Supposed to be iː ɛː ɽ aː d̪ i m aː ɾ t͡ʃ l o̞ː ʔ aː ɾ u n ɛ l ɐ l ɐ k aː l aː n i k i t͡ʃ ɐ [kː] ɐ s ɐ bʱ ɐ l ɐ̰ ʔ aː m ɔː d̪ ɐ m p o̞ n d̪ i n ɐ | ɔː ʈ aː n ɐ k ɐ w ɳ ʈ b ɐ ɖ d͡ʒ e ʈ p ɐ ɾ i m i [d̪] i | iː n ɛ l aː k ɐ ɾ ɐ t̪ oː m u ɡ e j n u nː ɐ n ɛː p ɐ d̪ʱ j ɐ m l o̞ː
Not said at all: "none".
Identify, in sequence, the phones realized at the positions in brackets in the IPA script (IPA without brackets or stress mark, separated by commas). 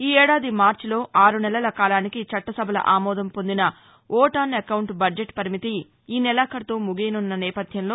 ʈː, t̪